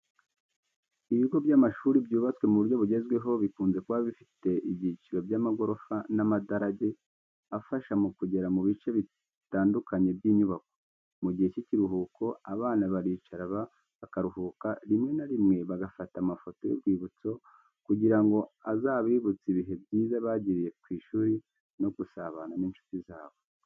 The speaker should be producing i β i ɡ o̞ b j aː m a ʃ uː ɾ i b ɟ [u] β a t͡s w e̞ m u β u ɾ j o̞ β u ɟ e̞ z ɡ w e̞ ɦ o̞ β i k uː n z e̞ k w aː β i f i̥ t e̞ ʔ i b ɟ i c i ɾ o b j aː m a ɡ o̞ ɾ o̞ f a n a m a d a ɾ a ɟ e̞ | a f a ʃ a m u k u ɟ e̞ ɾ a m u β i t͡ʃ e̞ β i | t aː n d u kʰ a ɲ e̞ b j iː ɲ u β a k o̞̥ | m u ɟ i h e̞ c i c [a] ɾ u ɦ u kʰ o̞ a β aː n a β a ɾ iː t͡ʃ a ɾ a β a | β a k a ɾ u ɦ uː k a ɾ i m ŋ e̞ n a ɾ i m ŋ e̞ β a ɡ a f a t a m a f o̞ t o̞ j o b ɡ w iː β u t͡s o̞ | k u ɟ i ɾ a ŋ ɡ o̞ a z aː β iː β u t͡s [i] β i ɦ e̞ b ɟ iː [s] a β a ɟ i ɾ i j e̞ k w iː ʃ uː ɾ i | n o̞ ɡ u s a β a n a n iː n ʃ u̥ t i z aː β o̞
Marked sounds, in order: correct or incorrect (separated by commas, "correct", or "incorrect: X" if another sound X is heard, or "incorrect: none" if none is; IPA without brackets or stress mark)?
incorrect: uː, incorrect: i, correct, incorrect: z